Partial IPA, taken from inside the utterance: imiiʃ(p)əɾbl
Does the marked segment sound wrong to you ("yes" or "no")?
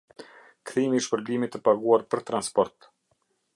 no